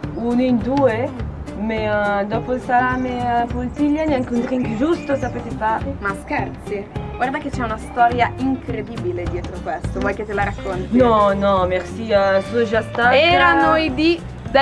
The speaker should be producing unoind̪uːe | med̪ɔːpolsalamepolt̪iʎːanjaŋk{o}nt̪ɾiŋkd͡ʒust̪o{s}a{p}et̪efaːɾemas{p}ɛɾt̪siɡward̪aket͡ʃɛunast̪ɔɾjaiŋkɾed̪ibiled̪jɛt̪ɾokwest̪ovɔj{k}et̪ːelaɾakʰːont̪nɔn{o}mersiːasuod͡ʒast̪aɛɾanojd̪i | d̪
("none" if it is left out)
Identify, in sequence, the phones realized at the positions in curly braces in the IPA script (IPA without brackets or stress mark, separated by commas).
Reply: u, s, p, k, k, ɔ